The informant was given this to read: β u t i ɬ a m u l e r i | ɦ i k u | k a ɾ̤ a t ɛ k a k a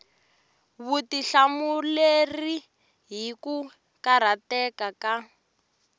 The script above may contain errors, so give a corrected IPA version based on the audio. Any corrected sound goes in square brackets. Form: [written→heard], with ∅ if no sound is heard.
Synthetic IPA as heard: β u t i ɬ a m u l e r i | ɦ i k u | k a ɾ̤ a t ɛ k a k a